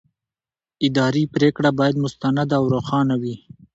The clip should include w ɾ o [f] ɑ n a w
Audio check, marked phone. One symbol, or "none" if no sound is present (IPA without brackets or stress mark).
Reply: x